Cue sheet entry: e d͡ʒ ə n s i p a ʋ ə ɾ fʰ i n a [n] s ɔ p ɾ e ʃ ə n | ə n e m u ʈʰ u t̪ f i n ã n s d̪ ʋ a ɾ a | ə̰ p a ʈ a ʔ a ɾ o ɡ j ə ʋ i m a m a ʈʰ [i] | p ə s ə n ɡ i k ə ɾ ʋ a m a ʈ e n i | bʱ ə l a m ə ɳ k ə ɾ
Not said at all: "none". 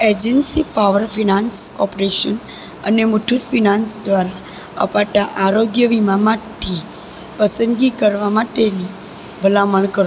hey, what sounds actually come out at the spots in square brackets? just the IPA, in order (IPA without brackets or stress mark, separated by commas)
n, i